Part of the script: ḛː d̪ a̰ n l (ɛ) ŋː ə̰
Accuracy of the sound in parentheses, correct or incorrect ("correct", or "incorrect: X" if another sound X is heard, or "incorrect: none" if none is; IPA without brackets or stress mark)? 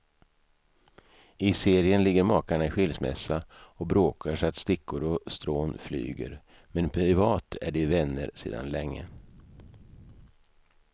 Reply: correct